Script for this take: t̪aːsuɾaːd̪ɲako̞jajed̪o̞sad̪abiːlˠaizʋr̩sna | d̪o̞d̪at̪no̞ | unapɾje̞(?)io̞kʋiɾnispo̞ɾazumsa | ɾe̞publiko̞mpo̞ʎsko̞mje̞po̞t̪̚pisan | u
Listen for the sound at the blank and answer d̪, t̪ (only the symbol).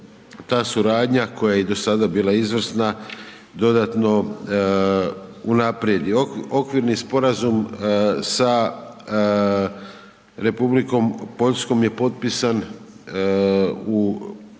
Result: d̪